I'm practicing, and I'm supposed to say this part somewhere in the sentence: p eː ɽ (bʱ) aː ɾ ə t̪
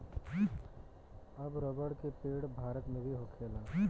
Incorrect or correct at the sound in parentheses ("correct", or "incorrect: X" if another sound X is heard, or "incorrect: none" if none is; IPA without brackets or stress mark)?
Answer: correct